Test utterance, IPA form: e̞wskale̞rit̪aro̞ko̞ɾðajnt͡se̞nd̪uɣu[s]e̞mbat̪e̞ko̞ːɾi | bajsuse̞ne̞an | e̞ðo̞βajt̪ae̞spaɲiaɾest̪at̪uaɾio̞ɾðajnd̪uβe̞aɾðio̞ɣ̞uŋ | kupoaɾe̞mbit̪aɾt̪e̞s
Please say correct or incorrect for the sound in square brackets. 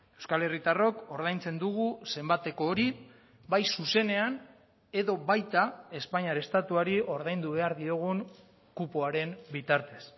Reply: correct